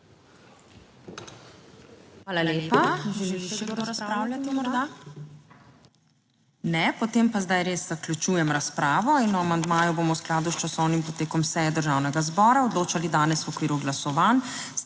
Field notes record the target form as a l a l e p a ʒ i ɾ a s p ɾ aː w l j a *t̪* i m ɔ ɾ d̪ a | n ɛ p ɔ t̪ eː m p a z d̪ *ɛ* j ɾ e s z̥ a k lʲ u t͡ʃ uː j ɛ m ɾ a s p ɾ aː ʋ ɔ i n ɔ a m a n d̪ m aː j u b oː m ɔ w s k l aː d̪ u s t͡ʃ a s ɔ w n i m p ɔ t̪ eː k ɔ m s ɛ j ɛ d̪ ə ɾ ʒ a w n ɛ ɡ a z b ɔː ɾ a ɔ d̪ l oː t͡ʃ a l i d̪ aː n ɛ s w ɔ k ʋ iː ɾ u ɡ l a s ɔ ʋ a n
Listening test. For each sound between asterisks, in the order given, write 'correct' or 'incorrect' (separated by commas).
correct, incorrect